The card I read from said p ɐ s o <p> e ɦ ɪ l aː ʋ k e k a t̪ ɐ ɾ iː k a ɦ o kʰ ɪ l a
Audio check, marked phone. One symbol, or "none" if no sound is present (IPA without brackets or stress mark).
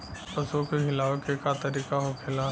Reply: k